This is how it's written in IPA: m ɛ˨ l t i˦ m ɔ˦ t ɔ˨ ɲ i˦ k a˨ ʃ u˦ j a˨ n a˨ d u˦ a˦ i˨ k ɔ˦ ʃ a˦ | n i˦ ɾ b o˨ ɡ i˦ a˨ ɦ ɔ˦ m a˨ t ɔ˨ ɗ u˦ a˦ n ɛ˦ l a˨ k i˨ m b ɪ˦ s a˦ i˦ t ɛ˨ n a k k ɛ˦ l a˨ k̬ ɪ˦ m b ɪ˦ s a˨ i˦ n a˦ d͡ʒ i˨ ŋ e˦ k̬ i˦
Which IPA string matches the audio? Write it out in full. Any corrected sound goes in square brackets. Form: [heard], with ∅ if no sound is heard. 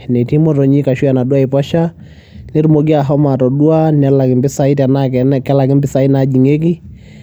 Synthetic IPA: [n] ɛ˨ [∅] t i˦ m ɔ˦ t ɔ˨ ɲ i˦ k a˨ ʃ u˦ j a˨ n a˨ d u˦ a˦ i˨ [p] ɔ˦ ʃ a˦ | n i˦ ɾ [m] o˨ ɡ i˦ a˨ ɦ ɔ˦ m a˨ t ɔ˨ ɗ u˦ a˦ n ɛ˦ l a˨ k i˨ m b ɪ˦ s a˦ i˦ t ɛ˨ n a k k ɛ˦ l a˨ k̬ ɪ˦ m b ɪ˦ s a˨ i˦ n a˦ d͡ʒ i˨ ŋ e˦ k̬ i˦